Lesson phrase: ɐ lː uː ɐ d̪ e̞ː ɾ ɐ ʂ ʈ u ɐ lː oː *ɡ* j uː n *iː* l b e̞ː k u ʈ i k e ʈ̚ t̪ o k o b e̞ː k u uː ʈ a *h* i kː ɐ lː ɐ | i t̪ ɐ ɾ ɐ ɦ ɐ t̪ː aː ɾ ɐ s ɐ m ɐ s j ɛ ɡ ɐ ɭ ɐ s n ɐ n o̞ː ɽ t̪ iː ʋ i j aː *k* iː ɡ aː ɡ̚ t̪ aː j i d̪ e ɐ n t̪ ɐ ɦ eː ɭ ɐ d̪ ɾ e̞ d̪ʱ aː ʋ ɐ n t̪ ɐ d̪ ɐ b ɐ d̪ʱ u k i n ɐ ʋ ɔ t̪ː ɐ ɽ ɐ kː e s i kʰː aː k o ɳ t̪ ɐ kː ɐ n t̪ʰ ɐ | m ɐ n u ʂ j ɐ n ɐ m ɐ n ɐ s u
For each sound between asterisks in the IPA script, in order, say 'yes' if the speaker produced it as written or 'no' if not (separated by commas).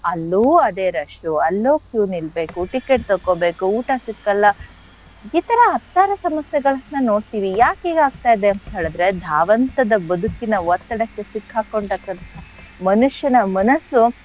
no, no, no, yes